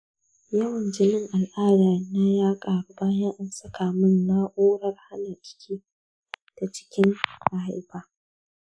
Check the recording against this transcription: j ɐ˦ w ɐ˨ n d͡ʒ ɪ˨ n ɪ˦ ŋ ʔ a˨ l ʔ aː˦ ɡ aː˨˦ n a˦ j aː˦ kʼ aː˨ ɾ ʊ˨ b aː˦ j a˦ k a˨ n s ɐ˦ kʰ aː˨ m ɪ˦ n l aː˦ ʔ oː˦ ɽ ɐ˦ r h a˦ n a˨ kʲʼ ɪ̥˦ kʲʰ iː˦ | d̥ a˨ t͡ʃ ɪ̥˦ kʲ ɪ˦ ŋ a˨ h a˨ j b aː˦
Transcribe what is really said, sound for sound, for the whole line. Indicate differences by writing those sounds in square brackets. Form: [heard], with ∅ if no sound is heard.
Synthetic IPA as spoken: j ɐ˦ w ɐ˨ n d͡ʒ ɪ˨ n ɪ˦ ŋ ʔ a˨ l ʔ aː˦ [d] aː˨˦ n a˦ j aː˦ kʼ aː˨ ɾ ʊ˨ b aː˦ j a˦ [ʔ] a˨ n s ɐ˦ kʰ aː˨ m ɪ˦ n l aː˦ ʔ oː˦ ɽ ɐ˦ r h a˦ n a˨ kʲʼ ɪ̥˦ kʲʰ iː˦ | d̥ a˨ t͡ʃ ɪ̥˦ kʲ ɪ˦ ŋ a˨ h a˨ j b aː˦